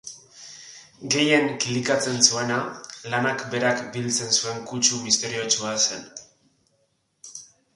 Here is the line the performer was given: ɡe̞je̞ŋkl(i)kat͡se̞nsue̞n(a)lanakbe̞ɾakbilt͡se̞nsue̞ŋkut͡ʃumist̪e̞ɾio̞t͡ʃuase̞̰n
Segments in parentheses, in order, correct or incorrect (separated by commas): correct, correct